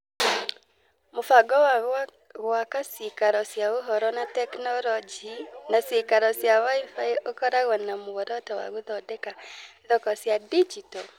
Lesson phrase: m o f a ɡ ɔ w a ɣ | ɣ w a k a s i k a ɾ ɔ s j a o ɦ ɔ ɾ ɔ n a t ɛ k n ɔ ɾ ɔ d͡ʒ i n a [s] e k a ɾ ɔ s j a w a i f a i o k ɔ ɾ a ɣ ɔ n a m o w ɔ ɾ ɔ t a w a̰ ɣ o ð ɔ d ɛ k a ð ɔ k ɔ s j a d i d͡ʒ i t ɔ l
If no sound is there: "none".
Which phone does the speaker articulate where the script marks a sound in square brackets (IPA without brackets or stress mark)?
s